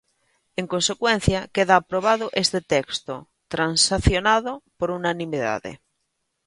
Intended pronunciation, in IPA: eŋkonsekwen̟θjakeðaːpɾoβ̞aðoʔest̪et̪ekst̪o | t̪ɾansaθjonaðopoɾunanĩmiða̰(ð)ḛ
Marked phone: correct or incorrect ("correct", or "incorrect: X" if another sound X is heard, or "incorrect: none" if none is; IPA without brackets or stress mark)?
correct